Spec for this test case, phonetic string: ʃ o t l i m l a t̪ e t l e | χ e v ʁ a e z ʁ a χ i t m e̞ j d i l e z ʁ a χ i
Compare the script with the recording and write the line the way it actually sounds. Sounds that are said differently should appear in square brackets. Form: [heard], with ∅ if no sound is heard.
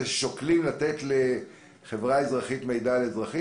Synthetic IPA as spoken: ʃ o [k] l i m l a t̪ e t l e | χ e v ʁ a e z ʁ a χ i t m e̞ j d [a] l e z ʁ a χ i